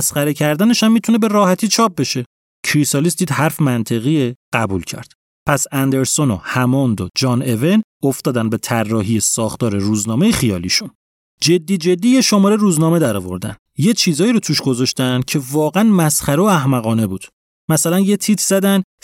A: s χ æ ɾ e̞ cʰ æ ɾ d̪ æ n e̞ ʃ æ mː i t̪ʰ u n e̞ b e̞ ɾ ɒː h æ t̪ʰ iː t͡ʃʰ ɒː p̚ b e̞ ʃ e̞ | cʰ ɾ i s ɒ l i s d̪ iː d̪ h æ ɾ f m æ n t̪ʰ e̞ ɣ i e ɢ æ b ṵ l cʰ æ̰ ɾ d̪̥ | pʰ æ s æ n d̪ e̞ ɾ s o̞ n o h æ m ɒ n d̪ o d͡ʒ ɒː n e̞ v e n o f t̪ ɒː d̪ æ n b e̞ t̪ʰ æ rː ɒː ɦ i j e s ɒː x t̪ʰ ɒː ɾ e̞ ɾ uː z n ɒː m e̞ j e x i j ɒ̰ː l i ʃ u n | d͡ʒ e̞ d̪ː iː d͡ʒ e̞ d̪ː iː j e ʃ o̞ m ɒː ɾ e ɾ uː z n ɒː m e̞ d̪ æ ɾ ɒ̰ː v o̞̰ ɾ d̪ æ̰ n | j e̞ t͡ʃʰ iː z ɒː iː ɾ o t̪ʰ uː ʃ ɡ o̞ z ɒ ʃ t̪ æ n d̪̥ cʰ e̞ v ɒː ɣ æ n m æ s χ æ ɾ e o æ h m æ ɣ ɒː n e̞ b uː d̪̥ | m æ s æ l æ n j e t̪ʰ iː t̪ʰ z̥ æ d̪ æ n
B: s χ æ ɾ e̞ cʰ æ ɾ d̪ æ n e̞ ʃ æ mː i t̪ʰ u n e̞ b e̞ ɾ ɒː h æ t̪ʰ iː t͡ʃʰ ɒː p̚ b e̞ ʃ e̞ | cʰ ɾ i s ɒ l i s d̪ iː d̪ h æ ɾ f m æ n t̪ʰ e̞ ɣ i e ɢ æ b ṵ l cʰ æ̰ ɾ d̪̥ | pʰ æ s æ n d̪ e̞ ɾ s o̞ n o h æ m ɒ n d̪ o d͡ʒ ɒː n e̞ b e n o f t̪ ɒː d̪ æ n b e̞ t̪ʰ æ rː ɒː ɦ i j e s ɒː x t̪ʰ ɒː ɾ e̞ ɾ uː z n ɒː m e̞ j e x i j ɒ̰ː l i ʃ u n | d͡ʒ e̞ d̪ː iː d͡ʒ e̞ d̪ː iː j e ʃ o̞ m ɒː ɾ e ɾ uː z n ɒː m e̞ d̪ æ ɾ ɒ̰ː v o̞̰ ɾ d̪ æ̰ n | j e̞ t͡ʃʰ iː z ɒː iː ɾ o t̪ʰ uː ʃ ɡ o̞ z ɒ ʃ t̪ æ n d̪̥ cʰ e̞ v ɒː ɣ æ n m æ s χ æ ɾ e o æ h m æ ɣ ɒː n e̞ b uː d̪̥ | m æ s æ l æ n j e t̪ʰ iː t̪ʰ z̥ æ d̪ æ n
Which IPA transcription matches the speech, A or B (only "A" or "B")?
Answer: A